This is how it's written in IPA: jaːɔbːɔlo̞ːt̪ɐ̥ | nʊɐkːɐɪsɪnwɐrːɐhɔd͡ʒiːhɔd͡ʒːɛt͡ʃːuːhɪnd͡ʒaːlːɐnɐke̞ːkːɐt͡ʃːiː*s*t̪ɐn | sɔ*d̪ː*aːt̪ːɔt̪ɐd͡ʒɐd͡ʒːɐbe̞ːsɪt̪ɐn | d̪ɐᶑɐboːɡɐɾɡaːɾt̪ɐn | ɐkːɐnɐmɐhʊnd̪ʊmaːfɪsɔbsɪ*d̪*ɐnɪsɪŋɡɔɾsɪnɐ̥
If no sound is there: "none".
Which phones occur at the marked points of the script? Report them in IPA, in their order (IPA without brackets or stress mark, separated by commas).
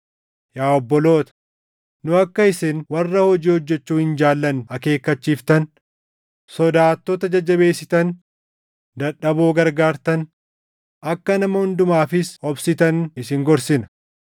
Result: f, d̪, t̪